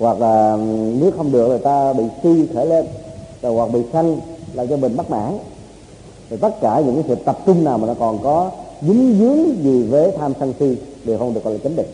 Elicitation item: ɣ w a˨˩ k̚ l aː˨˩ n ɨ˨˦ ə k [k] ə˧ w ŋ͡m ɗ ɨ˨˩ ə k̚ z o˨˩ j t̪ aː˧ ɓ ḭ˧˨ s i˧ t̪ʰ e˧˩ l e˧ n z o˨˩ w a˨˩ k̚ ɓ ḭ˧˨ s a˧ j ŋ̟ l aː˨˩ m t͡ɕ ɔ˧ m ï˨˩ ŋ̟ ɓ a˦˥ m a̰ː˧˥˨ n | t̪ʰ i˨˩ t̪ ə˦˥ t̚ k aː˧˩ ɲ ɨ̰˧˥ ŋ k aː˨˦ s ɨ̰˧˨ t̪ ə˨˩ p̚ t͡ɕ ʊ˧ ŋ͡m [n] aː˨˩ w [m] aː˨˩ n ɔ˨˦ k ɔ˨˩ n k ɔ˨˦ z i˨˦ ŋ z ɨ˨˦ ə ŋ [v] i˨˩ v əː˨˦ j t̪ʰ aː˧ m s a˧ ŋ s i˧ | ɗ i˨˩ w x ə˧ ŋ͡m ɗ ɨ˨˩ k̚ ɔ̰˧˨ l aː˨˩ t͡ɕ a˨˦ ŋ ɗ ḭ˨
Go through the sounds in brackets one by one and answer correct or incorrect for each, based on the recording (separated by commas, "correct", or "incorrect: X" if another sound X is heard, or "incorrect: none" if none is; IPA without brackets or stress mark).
incorrect: x, correct, correct, incorrect: z